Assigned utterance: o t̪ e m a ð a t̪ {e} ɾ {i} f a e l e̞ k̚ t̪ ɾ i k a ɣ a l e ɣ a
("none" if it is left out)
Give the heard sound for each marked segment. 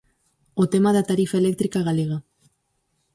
a, i

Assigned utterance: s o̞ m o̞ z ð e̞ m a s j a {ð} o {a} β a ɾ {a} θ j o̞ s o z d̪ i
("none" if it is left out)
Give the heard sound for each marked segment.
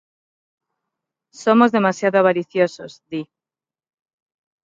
ð, a, i

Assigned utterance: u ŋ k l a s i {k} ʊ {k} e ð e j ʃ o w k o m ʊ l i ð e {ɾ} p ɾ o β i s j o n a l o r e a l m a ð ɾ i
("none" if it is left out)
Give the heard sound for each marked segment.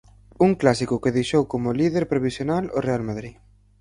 k, k, ɾ

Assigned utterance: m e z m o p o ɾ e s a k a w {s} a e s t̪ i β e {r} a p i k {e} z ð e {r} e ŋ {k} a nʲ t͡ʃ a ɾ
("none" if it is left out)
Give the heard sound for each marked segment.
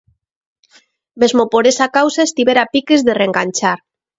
s, ɾ, e, r, ɡ

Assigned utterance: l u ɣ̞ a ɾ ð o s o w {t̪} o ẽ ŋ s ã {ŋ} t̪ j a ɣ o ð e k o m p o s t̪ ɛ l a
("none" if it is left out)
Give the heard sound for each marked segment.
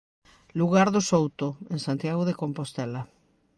t̪, n

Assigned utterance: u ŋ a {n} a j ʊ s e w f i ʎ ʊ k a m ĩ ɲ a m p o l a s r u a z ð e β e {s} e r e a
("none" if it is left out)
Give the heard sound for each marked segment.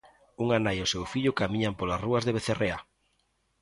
n, θ

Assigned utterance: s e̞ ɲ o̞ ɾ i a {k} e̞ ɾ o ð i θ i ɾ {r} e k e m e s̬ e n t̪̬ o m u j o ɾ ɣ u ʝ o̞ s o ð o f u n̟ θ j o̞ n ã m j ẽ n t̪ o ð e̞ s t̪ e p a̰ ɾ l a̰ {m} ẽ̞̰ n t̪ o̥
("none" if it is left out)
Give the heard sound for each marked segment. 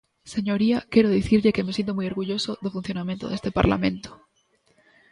k, ʎ, m

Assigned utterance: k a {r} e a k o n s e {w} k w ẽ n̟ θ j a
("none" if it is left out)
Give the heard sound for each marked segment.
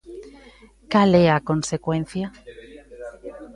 l, none

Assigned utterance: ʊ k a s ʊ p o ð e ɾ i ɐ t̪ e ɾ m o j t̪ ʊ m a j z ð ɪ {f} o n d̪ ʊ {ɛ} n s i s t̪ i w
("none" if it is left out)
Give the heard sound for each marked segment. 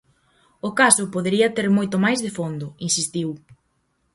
f, i

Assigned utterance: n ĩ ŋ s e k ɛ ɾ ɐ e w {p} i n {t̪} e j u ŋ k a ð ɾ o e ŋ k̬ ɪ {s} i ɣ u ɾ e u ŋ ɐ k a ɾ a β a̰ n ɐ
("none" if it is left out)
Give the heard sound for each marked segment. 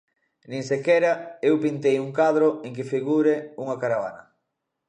p, t̪, f

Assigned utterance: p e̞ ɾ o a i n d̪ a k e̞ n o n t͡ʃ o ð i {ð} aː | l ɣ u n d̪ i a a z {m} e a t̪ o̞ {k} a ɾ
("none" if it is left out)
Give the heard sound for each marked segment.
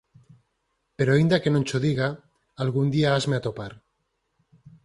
ɣ, m, p

